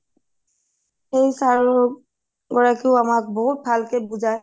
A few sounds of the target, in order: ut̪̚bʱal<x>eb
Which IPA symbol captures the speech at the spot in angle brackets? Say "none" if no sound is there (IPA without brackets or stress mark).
k